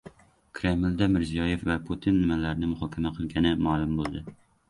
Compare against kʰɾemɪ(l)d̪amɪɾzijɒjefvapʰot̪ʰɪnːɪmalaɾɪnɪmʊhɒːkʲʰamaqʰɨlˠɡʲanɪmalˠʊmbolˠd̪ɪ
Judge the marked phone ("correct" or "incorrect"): correct